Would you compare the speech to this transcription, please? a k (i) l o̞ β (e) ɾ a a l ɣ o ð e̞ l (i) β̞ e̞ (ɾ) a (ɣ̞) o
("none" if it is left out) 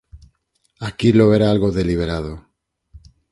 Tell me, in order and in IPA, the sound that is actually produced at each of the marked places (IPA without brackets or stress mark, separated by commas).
i, e, i, ɾ, ð̞